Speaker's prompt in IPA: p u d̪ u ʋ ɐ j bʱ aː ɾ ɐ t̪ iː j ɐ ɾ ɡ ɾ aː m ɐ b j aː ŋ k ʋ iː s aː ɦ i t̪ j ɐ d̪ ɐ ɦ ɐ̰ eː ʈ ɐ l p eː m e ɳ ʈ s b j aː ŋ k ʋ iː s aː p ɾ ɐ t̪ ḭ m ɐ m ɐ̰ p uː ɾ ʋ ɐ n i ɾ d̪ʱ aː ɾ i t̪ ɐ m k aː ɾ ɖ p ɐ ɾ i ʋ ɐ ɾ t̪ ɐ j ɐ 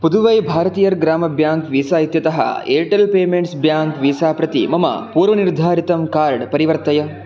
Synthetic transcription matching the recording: p u d̪ u ʋ ɐ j bʱ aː ɾ ɐ t̪ iː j ɐ ɾ ɡ ɾ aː m ɐ b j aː ŋ k ʋ iː s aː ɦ i t̪ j ɐ t̪ ɐ ɦ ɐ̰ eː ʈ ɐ l p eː m e ɳ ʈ s b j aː ŋ k ʋ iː s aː p ɾ ɐ t̪ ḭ m ɐ m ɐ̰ p uː ɾ ʋ ɐ n i ɾ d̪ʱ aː ɾ i t̪ ɐ m k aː ɾ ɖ p ɐ ɾ i ʋ ɐ ɾ t̪ ɐ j ɐ